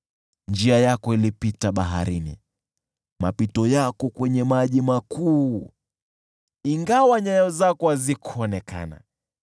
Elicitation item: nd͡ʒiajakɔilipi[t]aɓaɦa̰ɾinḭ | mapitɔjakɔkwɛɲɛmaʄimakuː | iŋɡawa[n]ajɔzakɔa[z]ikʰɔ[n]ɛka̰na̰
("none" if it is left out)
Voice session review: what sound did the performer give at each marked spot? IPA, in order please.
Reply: t, ɲ, z, n

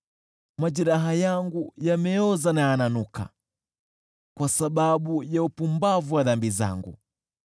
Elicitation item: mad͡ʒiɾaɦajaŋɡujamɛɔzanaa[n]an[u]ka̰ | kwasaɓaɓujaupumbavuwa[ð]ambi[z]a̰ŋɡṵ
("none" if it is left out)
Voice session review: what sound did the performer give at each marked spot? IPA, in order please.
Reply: n, u, ð, z

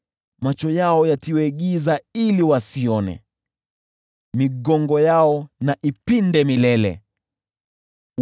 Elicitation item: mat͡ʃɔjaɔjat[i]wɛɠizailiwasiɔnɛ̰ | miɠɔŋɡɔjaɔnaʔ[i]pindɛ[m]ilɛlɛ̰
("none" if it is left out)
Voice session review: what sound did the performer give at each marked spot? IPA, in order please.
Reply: i, i, m

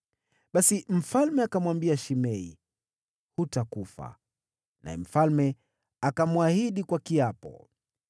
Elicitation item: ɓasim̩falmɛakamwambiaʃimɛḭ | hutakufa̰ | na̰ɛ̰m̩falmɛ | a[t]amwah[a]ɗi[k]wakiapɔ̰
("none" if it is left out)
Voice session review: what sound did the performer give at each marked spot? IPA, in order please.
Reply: k, i, k

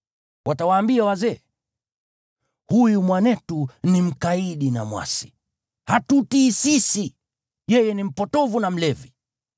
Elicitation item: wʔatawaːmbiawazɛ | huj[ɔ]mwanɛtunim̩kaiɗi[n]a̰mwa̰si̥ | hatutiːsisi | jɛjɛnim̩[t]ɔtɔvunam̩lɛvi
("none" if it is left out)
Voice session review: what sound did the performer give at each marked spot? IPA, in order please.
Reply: u, n, p

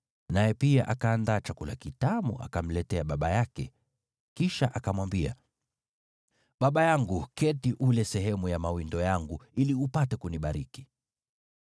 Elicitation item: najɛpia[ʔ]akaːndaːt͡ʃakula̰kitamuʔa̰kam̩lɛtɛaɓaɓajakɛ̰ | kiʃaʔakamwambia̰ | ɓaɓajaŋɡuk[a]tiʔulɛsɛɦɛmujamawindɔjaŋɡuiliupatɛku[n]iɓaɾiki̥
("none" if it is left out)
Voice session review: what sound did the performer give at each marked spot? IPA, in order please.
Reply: ʔ, ɛ, n

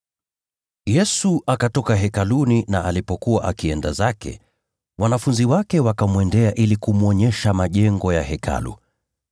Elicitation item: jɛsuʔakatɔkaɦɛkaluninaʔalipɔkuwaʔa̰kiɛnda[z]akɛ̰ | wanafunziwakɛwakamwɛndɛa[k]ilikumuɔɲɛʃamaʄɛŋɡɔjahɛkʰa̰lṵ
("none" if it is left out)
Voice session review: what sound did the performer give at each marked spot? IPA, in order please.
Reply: z, ʔ

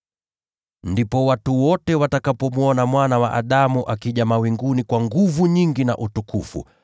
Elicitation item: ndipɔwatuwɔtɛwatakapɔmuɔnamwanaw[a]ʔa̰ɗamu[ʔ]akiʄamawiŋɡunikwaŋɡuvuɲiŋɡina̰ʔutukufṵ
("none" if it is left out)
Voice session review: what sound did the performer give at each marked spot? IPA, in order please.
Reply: a, ʔ

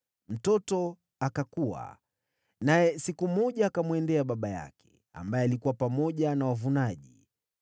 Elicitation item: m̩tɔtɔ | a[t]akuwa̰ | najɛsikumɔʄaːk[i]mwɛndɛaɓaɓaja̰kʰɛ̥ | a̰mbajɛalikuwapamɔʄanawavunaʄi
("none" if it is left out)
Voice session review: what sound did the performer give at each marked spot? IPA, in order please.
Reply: k, a

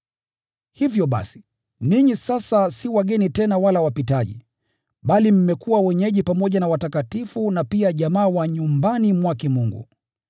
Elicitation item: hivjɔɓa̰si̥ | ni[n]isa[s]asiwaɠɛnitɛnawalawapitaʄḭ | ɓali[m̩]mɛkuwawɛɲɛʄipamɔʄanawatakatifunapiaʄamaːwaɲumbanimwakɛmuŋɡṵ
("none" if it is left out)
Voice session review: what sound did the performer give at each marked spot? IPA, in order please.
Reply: ɲ, s, m̩

